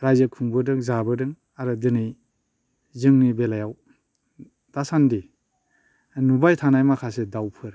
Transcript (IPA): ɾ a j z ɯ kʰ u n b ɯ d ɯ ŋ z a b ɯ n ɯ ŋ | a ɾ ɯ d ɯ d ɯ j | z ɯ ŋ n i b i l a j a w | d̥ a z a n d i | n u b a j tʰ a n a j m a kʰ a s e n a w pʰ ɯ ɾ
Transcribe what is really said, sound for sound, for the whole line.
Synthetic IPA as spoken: ɾ a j z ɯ kʰ u ŋ b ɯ d ɯ ŋ z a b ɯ d ɯ ŋ | a ɾ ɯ d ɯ n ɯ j | z ɯ ŋ n i b e l a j a w | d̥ a s a n d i | n u b a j tʰ a n a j m a kʰ a s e d a w pʰ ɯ ɾ